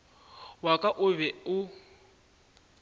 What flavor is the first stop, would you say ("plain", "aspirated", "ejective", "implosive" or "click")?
ejective